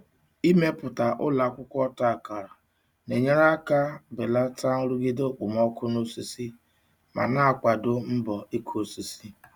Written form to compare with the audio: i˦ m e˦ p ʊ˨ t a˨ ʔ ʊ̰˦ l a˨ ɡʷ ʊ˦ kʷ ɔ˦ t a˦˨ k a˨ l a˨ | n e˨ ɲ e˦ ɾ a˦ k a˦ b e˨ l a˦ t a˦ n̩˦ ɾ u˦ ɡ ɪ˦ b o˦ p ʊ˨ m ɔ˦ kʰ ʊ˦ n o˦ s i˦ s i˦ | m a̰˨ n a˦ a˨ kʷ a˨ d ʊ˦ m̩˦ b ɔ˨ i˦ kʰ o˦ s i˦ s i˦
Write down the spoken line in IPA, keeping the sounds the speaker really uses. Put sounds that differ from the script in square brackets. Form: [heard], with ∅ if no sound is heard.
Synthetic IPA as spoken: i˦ m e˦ p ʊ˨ t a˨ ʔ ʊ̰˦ l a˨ [kʷ] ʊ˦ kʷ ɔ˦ t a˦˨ k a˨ [ɾ] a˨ | n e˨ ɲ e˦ ɾ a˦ k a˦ b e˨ l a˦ t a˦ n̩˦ ɾ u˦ ɡ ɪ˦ [d] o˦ [k͡p] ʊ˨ m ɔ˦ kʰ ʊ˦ n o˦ s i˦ s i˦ | m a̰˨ n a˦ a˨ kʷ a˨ d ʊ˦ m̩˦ b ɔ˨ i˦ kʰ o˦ s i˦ s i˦